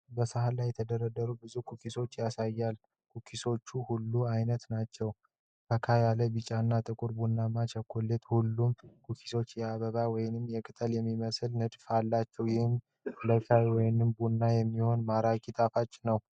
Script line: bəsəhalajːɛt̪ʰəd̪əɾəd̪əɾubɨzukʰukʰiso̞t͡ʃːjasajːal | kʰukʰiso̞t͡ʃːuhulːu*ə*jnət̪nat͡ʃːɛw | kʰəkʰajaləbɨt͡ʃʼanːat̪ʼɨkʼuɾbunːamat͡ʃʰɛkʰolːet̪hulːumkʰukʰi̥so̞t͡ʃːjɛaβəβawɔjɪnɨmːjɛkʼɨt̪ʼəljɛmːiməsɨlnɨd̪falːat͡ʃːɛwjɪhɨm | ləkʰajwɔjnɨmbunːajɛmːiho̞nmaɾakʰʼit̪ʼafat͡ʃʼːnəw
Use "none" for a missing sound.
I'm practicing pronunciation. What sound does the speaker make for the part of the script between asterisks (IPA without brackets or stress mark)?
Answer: a